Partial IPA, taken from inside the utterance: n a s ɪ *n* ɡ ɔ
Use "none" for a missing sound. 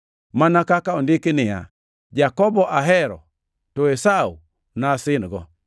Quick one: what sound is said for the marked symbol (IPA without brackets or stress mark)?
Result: n